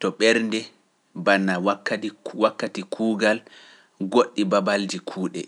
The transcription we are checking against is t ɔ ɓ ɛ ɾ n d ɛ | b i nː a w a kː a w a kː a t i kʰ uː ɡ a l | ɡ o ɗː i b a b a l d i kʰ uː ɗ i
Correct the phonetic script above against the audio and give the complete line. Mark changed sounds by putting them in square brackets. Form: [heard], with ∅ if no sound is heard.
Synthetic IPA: t ɔ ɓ ɛ ɾ n d ɛ | b [a] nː a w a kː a w a kː a t i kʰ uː ɡ a l | ɡ o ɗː i b a b a l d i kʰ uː ɗ [ɛ]

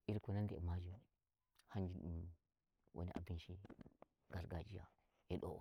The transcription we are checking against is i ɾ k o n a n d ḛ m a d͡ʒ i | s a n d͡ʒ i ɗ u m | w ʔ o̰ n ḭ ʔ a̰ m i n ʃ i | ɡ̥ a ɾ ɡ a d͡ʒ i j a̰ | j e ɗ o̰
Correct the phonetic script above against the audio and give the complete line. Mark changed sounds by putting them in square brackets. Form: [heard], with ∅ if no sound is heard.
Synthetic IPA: i ɾ k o n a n d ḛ m a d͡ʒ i | [h] a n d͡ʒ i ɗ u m | w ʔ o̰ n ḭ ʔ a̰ [b] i n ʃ i | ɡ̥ a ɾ ɡ a d͡ʒ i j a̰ | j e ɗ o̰

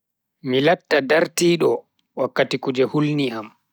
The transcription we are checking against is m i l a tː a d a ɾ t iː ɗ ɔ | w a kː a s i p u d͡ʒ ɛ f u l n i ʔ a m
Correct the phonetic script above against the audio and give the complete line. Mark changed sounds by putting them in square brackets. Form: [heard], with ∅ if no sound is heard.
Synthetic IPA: m i l a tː a d a ɾ t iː ɗ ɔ | w a kː a [t] i [k] u d͡ʒ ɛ [h] u l n i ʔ a m

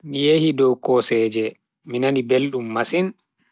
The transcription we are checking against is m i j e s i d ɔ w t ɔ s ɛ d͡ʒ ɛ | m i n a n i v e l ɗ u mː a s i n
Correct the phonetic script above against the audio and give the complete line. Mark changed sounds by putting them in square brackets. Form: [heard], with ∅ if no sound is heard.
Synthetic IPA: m i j e [h] i d ɔ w [k] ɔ s ɛ d͡ʒ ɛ | m i n a n i [b] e l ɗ u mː a s i n

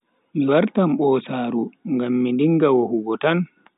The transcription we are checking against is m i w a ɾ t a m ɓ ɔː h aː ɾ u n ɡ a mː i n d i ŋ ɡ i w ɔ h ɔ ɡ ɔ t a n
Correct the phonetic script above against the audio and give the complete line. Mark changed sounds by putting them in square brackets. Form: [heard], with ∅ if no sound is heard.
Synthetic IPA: m i w a ɾ t a m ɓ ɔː [s] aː ɾ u [ŋ] ɡ a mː i n d i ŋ ɡ [a] w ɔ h [u] ɡ ɔ t a n

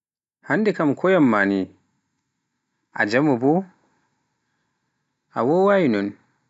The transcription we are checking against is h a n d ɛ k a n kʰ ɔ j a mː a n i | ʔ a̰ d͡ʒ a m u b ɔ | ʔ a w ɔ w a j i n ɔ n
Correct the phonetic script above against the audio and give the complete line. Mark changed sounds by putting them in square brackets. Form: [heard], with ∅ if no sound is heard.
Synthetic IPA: h a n d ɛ k a [m] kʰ ɔ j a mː a n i | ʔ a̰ d͡ʒ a m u b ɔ | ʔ a w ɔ w a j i n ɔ n

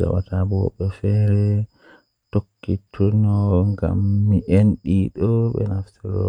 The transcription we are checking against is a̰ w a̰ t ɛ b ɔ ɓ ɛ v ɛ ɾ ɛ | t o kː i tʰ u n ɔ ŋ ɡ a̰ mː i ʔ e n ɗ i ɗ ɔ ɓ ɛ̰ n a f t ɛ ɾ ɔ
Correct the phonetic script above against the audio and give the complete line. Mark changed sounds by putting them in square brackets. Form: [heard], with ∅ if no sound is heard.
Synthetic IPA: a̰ w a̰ t [a] b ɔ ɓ ɛ [f] ɛ ɾ ɛ | t o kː i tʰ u n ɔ ŋ ɡ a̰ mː i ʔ e n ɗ i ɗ ɔ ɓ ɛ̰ n a f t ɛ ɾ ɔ

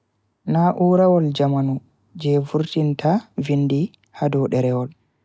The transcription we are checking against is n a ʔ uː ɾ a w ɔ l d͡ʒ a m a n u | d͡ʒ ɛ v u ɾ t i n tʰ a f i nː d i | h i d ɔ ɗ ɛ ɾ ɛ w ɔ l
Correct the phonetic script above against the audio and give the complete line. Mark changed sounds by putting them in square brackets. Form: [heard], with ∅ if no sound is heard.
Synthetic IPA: n a ʔ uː ɾ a w ɔ l d͡ʒ a m a n u | d͡ʒ ɛ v u ɾ t i n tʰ a [v] i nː d i | h [a] d ɔ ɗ ɛ ɾ ɛ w ɔ l

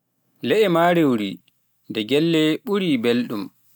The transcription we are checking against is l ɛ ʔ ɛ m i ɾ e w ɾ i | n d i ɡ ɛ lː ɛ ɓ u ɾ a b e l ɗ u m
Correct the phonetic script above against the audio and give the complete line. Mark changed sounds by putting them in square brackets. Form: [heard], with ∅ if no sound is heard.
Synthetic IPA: l ɛ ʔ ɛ m [a] ɾ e w ɾ i | n d [ɛ] ɡ ɛ lː ɛ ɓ u ɾ [i] b e l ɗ u m

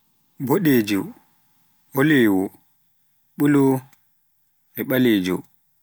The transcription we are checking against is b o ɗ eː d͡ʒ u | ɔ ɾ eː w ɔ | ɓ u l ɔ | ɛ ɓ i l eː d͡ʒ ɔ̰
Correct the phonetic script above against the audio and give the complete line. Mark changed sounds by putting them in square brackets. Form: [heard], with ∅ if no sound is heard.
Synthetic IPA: b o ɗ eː d͡ʒ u | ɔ [l] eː w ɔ | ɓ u l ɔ | ɛ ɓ [a] l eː d͡ʒ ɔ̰

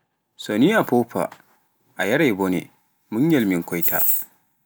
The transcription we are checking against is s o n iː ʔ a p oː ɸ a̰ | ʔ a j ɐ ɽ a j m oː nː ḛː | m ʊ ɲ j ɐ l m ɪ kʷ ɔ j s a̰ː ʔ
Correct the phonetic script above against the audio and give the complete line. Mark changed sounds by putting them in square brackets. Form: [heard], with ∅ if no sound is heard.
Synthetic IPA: s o n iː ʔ a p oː ɸ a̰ | ʔ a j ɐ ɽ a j [b] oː [n] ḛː | m ʊ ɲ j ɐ l m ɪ kʷ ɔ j [t] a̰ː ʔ

